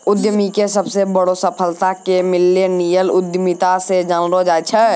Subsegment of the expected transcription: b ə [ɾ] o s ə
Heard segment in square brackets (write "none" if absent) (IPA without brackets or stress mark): ɽ